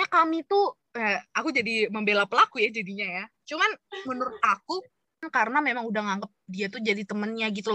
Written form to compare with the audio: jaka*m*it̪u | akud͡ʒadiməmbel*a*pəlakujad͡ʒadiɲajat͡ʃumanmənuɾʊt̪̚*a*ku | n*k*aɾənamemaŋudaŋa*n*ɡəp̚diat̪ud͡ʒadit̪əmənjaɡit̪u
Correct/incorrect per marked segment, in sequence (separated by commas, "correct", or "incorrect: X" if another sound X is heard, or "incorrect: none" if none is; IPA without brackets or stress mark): correct, correct, correct, correct, incorrect: ŋ